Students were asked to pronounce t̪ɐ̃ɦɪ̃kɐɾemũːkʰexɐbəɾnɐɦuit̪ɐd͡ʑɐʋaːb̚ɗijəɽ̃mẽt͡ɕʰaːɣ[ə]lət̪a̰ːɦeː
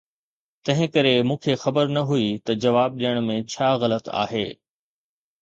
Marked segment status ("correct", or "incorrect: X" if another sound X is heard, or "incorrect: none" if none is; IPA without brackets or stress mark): incorrect: ɐ